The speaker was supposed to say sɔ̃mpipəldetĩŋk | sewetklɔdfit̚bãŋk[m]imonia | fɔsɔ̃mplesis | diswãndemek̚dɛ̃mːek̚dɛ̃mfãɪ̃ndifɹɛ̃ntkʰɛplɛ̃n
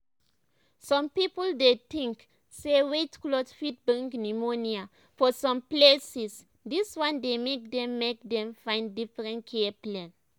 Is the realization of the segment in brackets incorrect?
yes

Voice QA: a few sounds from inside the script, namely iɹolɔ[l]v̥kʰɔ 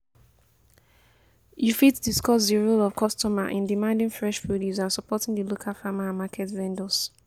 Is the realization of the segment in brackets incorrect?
yes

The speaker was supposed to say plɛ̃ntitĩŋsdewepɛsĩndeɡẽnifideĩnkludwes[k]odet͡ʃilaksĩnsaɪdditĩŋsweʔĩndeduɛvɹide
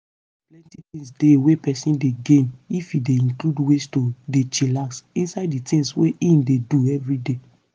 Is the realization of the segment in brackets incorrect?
yes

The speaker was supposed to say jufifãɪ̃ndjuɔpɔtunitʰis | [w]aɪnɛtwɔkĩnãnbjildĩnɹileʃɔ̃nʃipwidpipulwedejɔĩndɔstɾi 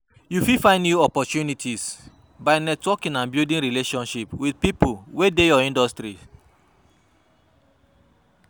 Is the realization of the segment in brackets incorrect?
yes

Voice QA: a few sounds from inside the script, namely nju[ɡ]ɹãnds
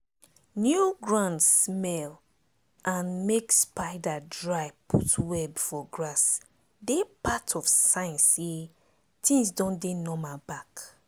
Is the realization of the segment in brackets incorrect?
no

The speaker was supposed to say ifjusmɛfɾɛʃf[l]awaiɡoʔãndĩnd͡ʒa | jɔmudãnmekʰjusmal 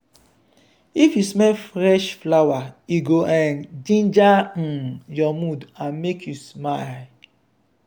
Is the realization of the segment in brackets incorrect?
no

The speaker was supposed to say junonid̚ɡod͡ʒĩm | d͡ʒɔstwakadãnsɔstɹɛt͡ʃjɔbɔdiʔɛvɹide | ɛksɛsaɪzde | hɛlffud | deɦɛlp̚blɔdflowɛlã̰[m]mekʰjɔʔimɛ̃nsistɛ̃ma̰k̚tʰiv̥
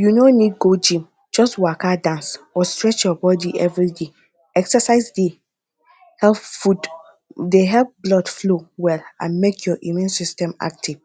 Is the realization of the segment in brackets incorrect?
yes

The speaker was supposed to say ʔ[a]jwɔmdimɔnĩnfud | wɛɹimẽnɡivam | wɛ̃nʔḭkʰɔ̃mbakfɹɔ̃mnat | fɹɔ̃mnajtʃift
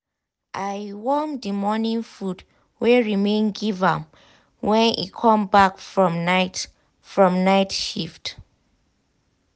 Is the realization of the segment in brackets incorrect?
no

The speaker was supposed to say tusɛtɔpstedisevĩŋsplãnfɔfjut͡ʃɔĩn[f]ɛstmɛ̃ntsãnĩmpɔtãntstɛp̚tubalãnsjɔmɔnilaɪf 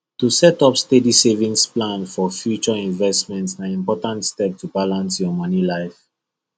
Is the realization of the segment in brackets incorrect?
yes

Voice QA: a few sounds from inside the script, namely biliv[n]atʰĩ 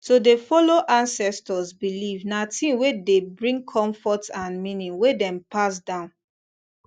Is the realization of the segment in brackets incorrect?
no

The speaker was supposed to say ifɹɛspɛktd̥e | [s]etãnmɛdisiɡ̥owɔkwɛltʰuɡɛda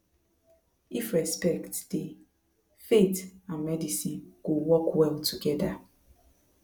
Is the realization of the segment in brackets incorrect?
yes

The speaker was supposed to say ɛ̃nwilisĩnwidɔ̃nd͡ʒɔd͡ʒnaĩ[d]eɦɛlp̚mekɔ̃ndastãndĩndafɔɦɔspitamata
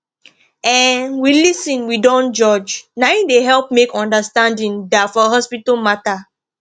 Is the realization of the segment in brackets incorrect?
no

